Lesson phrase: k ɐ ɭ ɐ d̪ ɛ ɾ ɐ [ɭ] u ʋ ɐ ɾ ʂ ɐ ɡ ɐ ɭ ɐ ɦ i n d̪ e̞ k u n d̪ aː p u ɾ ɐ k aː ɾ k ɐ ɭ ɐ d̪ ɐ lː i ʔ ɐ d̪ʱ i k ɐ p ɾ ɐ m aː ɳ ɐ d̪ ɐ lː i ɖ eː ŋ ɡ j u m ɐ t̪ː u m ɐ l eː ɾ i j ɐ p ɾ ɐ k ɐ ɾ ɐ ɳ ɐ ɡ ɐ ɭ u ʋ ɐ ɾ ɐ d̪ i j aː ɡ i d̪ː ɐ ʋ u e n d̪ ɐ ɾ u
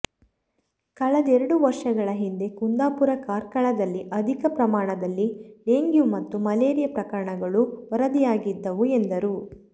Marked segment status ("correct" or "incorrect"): incorrect